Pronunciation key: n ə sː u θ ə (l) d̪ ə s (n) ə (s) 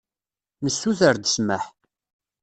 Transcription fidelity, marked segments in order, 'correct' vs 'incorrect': incorrect: ɾ, incorrect: m, incorrect: ħ

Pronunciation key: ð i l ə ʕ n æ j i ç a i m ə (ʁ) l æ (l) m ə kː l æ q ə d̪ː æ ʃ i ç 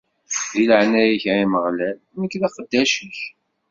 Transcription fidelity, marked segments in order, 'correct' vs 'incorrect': correct, correct

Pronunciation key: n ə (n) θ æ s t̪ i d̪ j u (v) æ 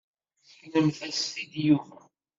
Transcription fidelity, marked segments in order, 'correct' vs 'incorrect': incorrect: m, correct

